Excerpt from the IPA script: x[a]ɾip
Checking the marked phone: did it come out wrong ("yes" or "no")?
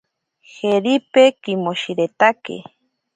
yes